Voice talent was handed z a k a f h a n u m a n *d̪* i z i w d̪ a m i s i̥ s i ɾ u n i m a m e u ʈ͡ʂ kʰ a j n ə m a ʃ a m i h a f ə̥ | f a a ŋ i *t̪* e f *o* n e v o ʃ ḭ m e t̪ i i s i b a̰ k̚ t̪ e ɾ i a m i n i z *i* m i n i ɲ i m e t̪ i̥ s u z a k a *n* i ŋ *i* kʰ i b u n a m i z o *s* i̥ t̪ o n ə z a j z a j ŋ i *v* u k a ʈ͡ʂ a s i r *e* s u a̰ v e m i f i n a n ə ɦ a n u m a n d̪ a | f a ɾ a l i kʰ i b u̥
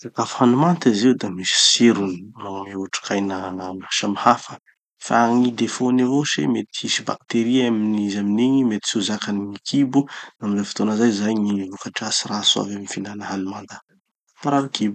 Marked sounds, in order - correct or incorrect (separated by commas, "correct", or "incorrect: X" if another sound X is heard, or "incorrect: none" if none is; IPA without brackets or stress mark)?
incorrect: t̪, incorrect: d̪, correct, incorrect: a, correct, correct, incorrect: f, correct, incorrect: a